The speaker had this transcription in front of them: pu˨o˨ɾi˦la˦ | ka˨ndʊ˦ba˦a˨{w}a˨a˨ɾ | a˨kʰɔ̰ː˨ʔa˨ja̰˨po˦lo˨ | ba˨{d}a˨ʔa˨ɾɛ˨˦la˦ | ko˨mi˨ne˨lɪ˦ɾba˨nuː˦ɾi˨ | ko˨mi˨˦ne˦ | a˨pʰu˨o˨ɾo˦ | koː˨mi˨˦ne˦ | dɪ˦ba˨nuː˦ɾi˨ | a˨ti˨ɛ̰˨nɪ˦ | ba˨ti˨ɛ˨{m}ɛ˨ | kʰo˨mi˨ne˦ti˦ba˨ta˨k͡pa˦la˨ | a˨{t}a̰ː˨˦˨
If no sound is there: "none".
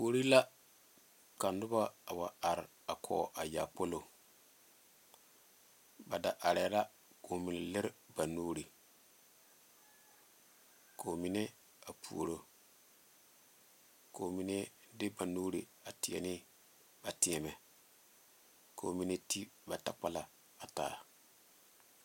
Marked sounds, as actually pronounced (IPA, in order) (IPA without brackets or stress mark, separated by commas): w, d, m, t